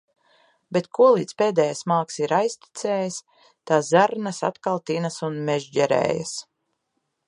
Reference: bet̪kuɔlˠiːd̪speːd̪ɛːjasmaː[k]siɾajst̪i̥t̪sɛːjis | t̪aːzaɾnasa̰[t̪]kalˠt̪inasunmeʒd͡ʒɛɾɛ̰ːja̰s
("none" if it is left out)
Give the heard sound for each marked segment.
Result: k, t̪

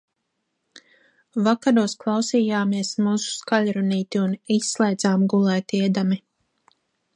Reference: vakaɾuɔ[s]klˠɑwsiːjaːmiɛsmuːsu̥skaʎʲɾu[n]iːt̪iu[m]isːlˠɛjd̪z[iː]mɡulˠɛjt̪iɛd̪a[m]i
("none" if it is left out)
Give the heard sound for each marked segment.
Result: s, n, n, aː, m

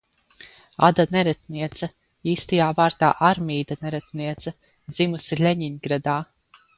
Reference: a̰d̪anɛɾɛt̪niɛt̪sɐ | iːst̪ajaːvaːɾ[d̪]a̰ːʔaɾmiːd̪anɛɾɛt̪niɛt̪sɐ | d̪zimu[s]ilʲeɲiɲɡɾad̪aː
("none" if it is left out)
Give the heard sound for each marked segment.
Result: t̪, s

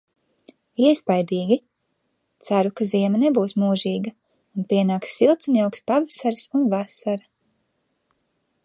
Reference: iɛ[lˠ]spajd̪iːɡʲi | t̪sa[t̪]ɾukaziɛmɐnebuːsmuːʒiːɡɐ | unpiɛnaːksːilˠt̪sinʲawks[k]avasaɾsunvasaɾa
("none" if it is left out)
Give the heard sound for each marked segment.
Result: none, none, p

